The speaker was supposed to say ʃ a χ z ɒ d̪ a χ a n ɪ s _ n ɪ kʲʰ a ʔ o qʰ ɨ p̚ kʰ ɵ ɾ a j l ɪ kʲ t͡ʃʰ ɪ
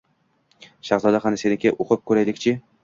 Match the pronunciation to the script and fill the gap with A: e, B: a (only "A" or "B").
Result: A